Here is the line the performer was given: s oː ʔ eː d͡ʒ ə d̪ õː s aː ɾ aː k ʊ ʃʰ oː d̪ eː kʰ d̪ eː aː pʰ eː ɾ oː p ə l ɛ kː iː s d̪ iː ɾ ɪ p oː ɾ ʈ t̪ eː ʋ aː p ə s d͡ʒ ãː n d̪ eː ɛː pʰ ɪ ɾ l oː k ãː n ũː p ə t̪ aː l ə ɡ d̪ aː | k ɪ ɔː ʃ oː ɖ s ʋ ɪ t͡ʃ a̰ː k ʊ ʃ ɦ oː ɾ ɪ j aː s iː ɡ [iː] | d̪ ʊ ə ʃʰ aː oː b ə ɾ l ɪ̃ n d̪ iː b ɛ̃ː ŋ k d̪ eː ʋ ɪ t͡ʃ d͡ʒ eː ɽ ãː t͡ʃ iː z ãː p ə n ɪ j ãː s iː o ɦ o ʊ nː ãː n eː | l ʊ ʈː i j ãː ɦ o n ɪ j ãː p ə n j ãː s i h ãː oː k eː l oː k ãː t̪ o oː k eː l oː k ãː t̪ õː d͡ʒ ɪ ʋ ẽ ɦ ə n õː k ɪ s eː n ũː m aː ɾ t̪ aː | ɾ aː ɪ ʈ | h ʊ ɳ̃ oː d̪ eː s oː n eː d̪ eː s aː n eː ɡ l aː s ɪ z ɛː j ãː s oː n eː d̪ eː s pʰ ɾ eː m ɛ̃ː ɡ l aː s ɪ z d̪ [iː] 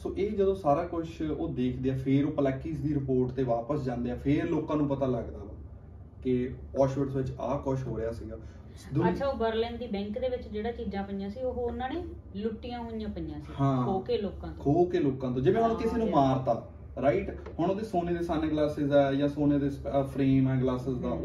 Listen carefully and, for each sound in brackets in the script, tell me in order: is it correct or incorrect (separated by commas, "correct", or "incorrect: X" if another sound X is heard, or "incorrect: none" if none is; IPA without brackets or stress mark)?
incorrect: aː, incorrect: aː